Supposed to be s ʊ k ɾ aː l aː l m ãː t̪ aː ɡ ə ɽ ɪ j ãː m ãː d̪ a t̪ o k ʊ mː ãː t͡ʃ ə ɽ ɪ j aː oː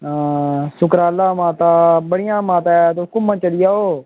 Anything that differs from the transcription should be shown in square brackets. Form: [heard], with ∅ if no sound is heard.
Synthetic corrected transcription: s ʊ k ɾ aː l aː [∅] m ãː t̪ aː [b] ə ɽ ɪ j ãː m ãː [t̪] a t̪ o k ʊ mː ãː t͡ʃ ə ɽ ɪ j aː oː